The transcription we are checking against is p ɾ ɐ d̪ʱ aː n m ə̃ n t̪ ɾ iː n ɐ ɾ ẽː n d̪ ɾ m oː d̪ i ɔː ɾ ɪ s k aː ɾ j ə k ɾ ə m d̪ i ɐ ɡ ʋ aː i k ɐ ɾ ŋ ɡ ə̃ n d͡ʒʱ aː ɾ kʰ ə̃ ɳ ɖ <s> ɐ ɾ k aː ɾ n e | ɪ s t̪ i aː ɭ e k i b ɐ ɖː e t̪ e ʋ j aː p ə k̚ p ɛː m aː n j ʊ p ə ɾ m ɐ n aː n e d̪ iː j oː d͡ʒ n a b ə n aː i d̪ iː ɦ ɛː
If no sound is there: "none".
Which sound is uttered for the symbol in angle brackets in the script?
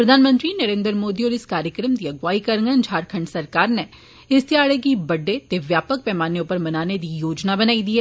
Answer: s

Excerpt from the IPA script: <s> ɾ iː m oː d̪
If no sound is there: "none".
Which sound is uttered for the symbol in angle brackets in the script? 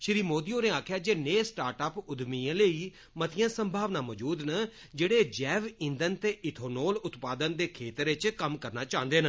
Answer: ʃ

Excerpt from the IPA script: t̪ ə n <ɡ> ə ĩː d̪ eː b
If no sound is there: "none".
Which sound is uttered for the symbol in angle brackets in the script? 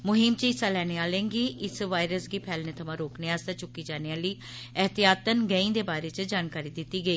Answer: ɡ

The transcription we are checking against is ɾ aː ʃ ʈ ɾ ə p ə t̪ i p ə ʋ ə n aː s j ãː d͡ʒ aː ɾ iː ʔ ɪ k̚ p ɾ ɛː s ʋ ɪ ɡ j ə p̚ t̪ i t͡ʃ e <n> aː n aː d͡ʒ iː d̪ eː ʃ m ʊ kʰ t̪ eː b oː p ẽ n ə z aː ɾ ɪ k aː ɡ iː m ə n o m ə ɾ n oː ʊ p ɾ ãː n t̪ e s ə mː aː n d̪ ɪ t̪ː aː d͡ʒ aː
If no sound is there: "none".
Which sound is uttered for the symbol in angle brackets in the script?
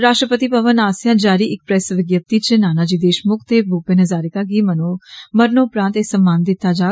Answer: n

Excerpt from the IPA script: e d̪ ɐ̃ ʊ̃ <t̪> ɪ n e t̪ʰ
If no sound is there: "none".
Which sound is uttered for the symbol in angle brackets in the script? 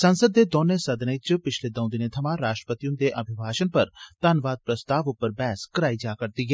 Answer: d̪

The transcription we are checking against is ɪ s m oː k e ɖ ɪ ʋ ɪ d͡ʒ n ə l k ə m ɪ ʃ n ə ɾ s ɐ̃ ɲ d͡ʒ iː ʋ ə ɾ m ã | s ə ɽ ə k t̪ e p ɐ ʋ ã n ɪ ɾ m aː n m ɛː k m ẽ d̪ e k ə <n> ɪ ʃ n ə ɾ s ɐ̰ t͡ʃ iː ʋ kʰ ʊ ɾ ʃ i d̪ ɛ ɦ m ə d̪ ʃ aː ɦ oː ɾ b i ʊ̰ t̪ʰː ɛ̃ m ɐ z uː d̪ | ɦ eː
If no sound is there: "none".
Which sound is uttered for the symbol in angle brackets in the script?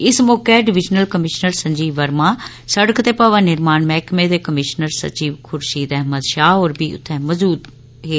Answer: m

